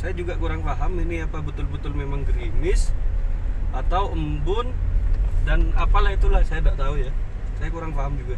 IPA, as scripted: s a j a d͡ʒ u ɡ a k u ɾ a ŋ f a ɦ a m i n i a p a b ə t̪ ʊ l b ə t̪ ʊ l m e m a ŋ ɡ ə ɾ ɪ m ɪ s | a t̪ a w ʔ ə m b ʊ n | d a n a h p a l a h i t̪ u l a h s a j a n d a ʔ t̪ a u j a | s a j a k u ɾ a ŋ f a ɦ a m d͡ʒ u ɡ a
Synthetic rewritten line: s a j a d͡ʒ u ɡ a k u ɾ a ŋ f a ɦ a m i n i a p a b ə t̪ ʊ l b ə t̪ ʊ l m e m a ŋ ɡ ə ɾ i m ɪ s | a t̪ a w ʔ ə m b ʊ n | d a n a p a l a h i t̪ u l a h s a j a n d a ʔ t̪ a u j a | s a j a k u ɾ a ŋ f a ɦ a m d͡ʒ u ɡ a

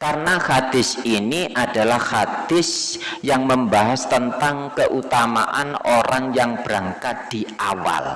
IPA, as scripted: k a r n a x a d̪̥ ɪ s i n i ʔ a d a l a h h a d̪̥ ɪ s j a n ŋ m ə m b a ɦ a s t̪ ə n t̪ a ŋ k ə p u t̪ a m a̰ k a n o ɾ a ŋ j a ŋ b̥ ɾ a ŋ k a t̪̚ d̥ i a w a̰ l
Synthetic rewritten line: k a r n a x a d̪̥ ɪ s i n i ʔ a d a l a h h a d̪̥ ɪ s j a ŋ m ə m b a ɦ a s t̪ ə n t̪ a ŋ k ə ʔ u t̪ a m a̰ ʔ a n o ɾ a ŋ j a ŋ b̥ ɾ a ŋ k a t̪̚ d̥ i a w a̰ l

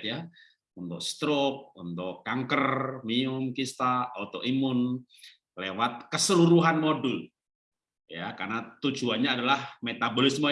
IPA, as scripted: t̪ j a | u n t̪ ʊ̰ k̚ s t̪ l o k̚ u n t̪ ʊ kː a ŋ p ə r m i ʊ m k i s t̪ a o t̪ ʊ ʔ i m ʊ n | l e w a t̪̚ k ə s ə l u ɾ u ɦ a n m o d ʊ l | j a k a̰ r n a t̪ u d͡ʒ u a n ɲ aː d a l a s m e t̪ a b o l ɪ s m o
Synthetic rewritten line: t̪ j a | u n t̪ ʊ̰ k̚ s t̪ ɾ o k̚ u n t̪ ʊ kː a ŋ k ə r m i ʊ m k i s t̪ a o t̪ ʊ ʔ i m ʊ n | l e w a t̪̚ k ə s ə l u ɾ u ɦ a n m o d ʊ l | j a k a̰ r n a t̪ u d͡ʒ u a n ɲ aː d a l a h m e t̪ a b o l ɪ s m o

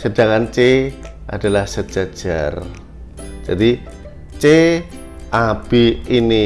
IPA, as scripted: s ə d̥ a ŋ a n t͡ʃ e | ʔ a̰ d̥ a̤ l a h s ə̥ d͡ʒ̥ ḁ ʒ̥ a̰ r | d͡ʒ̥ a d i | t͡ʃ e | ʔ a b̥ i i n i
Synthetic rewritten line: s ə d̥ a ŋ a n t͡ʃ e | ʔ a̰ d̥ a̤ l a h s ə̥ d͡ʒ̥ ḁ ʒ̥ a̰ r | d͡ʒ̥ a d i | t͡ʃ e | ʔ a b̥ i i n i

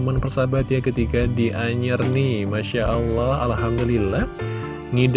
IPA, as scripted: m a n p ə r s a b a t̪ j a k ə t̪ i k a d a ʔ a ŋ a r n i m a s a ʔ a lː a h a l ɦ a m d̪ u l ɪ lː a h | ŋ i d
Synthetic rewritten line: m a n p ə r s a b a t̪ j a k ə t̪ i k a d i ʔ a ɲ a r n i m a ʃ a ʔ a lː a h a l ɦ a m d̪ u l i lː a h | ŋ i d

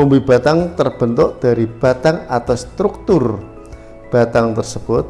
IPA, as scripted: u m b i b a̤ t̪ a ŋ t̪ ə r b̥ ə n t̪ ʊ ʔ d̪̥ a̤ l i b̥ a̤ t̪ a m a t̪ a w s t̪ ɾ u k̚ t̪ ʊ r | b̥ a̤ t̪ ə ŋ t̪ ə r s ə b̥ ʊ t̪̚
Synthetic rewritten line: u m b i b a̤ t̪ a ŋ t̪ ə r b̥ ə n t̪ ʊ ʔ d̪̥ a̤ ɾ i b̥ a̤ t̪ a ŋ a t̪ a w s t̪ ɾ u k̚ t̪ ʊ r | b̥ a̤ t̪ a ŋ t̪ ə r s ə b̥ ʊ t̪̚

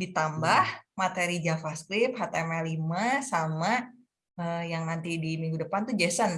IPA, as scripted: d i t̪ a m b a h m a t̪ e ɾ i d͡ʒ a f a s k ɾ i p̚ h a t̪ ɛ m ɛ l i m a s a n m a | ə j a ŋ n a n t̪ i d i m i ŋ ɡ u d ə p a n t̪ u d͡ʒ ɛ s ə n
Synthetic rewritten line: d i t̪ a m b a h m a t̪ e ɾ i d͡ʒ a f a s k ɾ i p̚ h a t̪ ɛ m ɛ l i m a s a m a | ə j a ŋ n a n t̪ i d i m i ŋ ɡ u d ə p a n t̪ u d͡ʒ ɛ s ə n

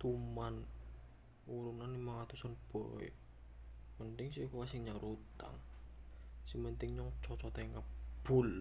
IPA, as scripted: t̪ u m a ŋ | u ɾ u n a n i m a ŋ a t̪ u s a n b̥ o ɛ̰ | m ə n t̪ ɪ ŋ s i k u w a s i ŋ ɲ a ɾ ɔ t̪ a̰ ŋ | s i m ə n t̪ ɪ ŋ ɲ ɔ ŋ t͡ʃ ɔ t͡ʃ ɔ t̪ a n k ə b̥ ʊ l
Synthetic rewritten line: t̪ u m a n | u ɾ u n a n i m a ŋ a t̪ u s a n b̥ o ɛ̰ | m ə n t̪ ɪ ŋ s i k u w a s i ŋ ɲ a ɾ u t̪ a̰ ŋ | s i m ə n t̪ ɪ ŋ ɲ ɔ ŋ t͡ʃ ɔ t͡ʃ ɔ t̪ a ŋ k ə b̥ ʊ l

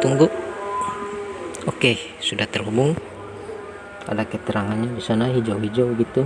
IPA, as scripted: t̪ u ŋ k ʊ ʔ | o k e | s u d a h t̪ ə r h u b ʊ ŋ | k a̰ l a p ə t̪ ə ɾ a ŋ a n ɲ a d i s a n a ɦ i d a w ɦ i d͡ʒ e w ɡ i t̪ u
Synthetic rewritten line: t̪ u ŋ ɡ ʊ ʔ | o k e | s u d a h t̪ ə r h u b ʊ ŋ | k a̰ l a k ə t̪ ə ɾ a ŋ a n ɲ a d i s a n a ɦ i d͡ʒ a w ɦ i d͡ʒ a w ɡ i t̪ u

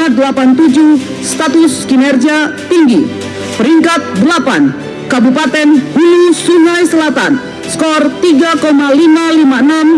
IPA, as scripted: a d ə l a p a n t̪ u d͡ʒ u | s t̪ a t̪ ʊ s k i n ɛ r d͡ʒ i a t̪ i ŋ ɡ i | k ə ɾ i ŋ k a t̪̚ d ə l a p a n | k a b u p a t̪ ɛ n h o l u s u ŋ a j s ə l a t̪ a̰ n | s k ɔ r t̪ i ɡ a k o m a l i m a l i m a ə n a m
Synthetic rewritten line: a d ə l a p a n t̪ u d͡ʒ u | s t̪ a t̪ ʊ s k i n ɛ r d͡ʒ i a t̪ i ŋ ɡ i | p ə ɾ i ŋ k a t̪̚ d ə l a p a n | k a b u p a t̪ ɛ n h u l u s u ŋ a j s ə l a t̪ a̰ n | s k ɔ r t̪ i ɡ a k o m a l i m a l i m a ə n a m

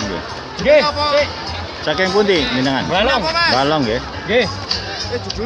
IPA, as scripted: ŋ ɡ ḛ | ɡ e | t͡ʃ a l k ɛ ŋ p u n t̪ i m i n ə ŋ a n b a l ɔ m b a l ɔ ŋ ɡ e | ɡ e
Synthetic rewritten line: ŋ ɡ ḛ | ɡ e | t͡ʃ a k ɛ ŋ p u n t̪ i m i n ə ŋ a n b a l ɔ ŋ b a l ɔ ŋ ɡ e | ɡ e

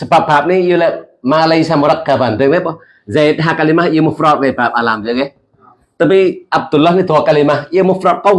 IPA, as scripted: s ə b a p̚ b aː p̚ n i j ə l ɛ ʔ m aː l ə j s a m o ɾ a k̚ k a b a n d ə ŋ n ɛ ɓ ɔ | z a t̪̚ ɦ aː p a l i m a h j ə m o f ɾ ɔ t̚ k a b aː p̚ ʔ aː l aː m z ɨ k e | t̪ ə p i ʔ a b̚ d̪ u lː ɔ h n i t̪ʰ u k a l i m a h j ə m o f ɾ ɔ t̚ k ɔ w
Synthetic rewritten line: s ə b a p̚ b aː p̚ n i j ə l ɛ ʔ m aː l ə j s a m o ɾ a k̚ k a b a n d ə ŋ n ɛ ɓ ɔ | z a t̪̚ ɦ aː k a l i m a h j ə m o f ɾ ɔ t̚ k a b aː p̚ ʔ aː l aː m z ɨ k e | t̪ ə p i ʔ a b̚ d̪ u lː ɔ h n i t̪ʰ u k a l i m a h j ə m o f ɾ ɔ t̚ k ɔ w

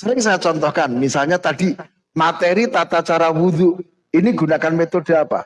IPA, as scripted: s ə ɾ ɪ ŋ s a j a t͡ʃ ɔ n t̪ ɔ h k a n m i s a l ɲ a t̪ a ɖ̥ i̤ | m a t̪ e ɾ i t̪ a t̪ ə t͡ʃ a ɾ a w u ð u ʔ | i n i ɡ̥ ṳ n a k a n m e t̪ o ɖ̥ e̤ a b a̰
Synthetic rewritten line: s ə ɾ ɪ ŋ s a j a t͡ʃ ɔ n t̪ ɔ h k a n m i s a l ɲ a t̪ a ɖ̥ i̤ | m a t̪ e ɾ i t̪ a t̪ a t͡ʃ a ɾ a w u ð u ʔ | i n i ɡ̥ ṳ n a k a n m e t̪ o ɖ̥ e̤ a p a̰

